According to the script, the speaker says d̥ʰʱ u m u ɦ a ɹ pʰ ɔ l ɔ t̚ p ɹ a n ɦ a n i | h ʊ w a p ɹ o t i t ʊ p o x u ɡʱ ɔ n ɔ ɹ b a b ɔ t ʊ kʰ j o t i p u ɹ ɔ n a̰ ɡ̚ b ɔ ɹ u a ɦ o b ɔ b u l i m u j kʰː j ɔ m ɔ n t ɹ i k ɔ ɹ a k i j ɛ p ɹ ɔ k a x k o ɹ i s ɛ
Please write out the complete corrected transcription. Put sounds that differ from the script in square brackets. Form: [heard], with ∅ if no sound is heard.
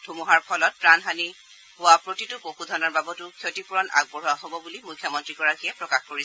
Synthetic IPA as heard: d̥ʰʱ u m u ɦ a ɹ pʰ ɔ l ɔ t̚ p ɹ a n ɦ a n i | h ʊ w a p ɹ o t i t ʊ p o x u [dʱ] ɔ n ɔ ɹ b a b ɔ t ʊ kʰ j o t i p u ɹ ɔ n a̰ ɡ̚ b ɔ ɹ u a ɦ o b ɔ b u l i m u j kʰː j ɔ m ɔ n t ɹ i k ɔ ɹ a k i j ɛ p ɹ ɔ k a x k o ɹ i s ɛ